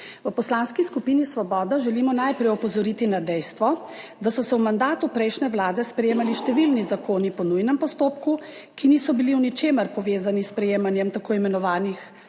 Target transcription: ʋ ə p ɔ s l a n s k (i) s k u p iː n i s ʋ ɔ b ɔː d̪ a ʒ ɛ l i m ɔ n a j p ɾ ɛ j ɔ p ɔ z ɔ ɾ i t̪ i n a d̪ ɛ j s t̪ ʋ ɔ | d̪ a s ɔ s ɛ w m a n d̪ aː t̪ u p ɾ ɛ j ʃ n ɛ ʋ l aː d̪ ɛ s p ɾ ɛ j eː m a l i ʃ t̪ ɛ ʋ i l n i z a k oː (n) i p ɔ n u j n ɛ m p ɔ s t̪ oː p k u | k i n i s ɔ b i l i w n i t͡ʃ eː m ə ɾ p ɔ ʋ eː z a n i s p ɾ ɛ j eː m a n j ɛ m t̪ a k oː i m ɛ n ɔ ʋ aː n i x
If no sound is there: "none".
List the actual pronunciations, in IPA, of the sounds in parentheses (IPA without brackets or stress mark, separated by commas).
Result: i, n